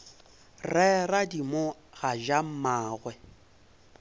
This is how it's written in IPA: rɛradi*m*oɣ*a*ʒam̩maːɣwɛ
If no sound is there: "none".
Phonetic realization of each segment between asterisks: m, a

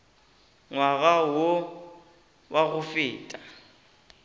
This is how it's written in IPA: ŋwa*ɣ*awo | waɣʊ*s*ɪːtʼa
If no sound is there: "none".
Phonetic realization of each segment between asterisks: ɣ, f

